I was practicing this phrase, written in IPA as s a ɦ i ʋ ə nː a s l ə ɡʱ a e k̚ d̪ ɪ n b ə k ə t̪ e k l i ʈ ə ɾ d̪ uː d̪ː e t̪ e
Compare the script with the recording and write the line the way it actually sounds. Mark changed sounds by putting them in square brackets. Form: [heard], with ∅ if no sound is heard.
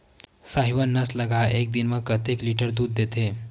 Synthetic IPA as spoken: s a ɦ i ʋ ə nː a s l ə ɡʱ a e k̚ d̪ [i] n [m] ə k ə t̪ e k l i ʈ ə ɾ d̪ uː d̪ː e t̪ e